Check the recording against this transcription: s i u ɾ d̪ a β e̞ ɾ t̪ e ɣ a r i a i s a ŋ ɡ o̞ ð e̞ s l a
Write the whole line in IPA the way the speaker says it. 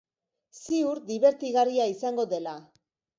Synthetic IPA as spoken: s i u ɾ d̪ i β e̞ ɾ t̪ i ɣ a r i a i s a ŋ ɡ o̞ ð e̞ l a